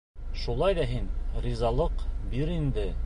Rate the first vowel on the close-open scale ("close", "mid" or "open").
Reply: close